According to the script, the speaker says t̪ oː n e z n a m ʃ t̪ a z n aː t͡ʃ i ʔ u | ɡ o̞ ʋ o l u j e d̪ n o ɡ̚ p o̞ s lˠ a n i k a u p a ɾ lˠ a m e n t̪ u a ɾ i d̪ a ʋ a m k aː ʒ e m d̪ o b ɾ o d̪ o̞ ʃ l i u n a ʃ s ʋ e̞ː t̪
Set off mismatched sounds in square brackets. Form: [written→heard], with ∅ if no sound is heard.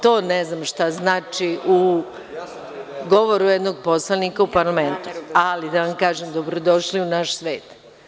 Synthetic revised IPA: t̪ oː n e z n a m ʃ t̪ a z n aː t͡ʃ i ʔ u | ɡ o̞ ʋ o [l→ɾ] u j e d̪ n o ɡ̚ p o̞ s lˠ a n i k a u p a ɾ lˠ a m e n t̪ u a [ɾ→l] i d̪ a ʋ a m k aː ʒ e m d̪ o b ɾ o d̪ o̞ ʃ l i u n a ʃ s ʋ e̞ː t̪